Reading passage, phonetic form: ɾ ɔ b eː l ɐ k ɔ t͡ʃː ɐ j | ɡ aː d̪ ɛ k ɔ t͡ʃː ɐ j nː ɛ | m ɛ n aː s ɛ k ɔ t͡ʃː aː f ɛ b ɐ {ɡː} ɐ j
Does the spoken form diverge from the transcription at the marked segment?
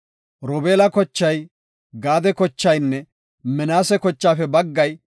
no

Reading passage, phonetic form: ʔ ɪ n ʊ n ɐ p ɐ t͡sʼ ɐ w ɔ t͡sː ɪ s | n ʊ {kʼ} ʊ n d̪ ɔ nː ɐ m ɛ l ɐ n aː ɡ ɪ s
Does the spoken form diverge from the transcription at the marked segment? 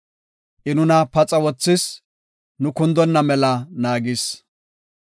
yes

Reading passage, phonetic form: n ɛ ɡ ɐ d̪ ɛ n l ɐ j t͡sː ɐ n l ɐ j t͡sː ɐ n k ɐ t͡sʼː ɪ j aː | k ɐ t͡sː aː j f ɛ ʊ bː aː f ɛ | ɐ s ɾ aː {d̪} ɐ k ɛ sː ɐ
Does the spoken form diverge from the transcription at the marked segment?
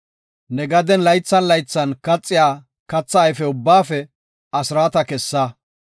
yes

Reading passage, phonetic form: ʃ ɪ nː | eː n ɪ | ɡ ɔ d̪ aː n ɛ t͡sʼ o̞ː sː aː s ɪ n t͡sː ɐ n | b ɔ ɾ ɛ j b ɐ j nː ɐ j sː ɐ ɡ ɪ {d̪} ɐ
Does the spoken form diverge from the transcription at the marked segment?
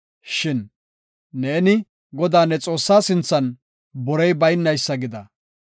no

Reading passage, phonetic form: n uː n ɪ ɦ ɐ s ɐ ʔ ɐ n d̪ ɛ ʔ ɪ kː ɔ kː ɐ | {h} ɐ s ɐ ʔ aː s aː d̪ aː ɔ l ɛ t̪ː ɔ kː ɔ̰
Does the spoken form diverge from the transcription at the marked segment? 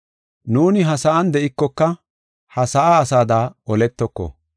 no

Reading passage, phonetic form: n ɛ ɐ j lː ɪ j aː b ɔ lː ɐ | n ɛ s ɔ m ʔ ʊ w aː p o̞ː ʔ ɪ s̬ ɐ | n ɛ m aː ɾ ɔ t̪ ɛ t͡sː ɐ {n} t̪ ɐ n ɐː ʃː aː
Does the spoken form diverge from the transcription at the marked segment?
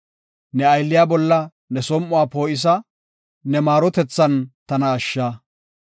no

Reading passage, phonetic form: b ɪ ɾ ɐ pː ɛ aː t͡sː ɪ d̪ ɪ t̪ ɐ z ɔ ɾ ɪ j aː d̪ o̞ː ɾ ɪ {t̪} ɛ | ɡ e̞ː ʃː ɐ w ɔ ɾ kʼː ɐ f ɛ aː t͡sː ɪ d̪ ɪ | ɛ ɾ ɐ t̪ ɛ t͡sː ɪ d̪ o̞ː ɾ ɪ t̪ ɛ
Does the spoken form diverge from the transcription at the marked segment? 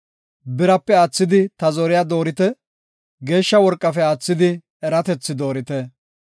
no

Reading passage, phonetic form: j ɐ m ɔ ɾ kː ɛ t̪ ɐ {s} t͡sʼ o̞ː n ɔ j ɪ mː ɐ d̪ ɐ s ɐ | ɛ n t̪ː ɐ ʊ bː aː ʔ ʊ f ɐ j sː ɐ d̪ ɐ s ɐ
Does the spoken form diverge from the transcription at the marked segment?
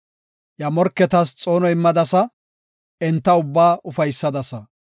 no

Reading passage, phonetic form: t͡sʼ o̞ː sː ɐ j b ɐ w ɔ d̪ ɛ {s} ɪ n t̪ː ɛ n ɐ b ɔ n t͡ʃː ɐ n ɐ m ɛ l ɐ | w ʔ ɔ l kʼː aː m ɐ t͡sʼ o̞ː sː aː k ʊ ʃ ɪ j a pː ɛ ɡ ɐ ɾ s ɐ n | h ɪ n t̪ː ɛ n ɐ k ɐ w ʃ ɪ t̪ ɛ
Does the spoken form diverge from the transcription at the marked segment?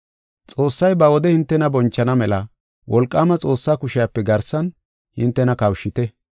yes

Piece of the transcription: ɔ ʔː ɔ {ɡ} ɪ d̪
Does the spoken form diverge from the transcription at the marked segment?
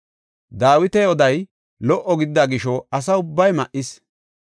no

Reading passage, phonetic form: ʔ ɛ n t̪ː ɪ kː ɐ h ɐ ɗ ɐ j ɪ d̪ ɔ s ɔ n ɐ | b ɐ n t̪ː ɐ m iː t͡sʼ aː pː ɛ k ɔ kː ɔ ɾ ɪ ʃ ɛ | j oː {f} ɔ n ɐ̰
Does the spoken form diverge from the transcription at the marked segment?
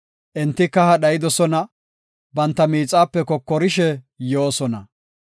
yes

